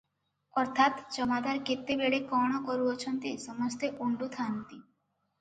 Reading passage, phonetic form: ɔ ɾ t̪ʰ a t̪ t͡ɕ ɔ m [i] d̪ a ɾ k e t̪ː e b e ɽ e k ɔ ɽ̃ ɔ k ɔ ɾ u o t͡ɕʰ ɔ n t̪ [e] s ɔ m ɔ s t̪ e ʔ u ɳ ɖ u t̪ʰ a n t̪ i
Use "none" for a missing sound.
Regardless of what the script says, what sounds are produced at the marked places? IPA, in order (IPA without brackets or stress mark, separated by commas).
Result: a, e